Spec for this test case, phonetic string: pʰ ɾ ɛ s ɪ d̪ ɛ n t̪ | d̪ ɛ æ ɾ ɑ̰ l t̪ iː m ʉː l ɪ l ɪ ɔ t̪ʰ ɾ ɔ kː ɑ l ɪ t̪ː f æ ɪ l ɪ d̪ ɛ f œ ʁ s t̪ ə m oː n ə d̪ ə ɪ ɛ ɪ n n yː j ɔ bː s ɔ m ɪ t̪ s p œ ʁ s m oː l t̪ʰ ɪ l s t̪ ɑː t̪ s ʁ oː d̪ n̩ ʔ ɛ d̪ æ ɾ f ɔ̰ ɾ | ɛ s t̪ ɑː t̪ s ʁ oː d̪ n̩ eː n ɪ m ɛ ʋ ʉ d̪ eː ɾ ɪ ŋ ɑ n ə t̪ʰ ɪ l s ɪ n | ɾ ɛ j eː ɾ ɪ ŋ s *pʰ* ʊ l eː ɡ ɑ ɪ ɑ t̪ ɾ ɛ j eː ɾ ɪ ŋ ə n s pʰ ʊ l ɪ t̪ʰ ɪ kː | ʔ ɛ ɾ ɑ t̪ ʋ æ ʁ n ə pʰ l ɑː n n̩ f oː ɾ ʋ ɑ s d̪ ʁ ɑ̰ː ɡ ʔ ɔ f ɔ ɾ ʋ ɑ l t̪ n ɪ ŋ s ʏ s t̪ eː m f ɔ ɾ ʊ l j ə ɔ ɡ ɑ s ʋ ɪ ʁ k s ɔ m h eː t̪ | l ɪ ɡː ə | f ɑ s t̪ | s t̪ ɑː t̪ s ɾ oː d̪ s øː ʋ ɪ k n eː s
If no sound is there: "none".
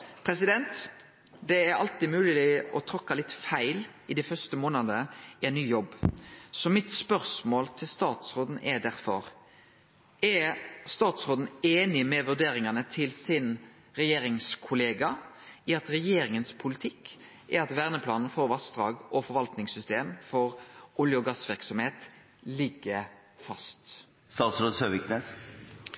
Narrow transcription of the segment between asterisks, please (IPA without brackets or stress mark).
kʰ